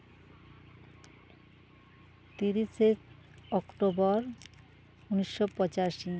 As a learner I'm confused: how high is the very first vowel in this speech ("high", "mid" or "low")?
high